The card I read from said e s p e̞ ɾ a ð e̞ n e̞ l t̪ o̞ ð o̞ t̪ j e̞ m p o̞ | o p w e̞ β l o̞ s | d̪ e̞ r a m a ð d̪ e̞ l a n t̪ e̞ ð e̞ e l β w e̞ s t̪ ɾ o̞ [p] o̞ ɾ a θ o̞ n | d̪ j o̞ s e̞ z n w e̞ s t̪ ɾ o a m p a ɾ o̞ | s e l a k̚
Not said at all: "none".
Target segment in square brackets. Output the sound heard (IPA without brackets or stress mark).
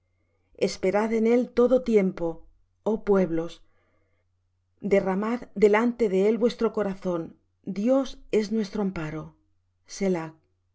k